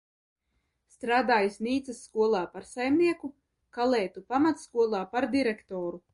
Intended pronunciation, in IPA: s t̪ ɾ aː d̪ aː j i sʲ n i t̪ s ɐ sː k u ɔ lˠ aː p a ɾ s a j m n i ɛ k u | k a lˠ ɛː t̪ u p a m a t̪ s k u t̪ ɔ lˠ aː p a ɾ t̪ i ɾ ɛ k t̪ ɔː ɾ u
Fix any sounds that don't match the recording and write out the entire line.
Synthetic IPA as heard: s t̪ ɾ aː d̪ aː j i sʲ n iː t̪ s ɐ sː k u ɔ lˠ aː p a ɾ s a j m n i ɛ k u | k a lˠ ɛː t̪ u p a m a t̪ s k u ɔ lˠ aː p a ɾ d̪ i ɾ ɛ k t̪ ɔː ɾ u